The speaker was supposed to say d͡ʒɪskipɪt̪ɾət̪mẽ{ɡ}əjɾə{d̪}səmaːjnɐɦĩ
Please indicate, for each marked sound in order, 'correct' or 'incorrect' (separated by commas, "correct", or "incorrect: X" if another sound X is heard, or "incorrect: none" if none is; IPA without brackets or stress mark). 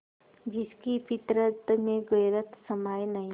correct, incorrect: t̪